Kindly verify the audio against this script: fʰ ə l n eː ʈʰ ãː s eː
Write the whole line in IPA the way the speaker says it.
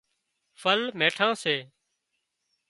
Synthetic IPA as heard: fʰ ə l m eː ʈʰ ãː s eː